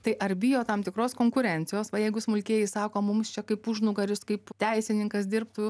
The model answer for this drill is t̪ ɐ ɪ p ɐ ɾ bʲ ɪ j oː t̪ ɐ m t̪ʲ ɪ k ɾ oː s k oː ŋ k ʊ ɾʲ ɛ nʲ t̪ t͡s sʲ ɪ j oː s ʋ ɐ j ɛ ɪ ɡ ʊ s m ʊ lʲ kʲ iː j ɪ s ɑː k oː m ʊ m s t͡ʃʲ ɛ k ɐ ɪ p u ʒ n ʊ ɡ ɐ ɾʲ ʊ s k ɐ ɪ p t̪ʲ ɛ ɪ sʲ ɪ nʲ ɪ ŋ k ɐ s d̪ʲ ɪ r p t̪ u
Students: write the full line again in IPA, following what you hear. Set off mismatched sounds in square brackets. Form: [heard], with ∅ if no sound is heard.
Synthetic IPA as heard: t̪ ɐ ɪ [ʔ] ɐ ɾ bʲ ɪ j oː t̪ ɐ m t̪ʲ ɪ k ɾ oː s k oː ŋ k ʊ ɾʲ ɛ nʲ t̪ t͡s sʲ ɪ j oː s ʋ ɐ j ɛ ɪ ɡ ʊ s m ʊ lʲ kʲ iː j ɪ s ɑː k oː m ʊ m s t͡ʃʲ ɛ k ɐ ɪ p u ʒ n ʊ ɡ ɐ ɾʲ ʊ s k ɐ ɪ p t̪ʲ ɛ ɪ sʲ ɪ nʲ ɪ ŋ k ɐ s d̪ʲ ɪ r p t̪ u